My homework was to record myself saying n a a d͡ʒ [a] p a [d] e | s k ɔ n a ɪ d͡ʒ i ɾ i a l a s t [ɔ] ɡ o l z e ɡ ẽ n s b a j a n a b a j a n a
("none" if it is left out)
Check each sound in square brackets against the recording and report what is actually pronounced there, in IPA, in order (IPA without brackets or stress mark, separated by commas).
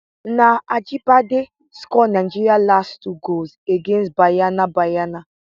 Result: i, d, u